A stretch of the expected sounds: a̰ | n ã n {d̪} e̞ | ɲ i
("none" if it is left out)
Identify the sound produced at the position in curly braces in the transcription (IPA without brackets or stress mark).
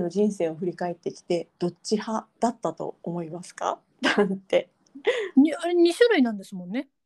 t̪